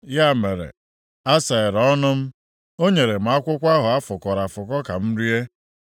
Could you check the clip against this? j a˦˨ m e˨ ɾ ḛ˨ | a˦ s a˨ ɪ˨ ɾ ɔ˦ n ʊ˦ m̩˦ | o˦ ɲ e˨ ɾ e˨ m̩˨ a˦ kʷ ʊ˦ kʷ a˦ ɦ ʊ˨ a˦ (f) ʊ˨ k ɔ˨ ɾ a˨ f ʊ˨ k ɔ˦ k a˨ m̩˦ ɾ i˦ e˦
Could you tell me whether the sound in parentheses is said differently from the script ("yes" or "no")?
no